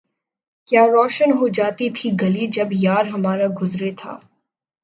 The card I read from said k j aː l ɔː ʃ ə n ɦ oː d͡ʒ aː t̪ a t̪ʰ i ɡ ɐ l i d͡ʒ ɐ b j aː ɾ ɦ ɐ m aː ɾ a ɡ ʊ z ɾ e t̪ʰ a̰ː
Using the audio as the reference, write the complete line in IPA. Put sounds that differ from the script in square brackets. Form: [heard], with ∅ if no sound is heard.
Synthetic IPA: k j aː [ɾ] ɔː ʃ ə n ɦ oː d͡ʒ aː t̪ [i] t̪ʰ i ɡ ɐ l i d͡ʒ ɐ b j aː ɾ ɦ ɐ m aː ɾ a ɡ ʊ z ɾ e t̪ʰ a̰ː